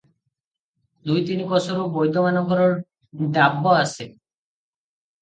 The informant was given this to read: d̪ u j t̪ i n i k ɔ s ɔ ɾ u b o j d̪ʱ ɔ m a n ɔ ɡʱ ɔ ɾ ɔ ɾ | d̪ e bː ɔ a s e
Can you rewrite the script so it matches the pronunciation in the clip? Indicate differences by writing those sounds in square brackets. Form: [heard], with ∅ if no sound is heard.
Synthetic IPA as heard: d̪ u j t̪ i n i k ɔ s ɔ ɾ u b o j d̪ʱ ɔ m a n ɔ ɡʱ ɔ ɾ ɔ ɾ | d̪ [a] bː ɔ a s e